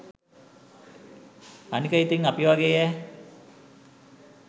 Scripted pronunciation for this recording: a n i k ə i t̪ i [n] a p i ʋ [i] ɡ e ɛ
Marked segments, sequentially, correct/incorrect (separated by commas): incorrect, incorrect